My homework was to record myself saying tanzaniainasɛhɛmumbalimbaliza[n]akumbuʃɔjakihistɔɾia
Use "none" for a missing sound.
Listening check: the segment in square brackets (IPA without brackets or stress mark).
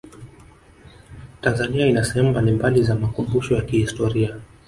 m